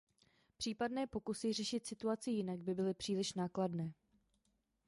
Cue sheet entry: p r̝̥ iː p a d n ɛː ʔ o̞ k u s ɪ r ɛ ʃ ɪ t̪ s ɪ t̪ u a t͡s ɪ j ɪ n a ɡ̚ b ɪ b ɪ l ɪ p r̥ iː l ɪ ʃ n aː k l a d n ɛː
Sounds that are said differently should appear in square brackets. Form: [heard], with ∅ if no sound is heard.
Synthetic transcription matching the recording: p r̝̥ iː p a d n ɛː [p] o̞ k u s ɪ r ɛ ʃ ɪ t̪ s ɪ t̪ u a t͡s ɪ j ɪ n a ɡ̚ b ɪ b ɪ l ɪ p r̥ iː l ɪ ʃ n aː k l a d n ɛː